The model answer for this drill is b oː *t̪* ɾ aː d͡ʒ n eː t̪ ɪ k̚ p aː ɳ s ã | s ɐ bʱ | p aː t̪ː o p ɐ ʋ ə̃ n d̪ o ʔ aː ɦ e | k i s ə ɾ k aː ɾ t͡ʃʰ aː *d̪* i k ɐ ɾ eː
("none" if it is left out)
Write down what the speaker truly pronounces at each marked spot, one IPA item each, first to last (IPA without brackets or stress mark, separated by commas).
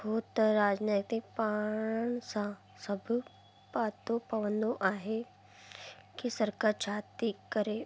t̪, t̪